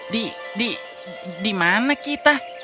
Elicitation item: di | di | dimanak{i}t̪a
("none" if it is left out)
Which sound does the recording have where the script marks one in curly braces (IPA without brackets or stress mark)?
i